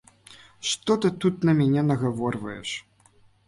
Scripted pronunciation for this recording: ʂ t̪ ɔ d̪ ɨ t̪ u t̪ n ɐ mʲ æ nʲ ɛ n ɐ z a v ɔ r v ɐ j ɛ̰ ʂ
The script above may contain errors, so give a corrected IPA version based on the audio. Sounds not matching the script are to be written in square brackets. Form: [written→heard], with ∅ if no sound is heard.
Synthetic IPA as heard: ʂ t̪ ɔ [d̪→t̪] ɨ t̪ u t̪ n ɐ mʲ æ nʲ ɛ n ɐ [z→ɣ] a v ɔ r v ɐ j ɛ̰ ʂ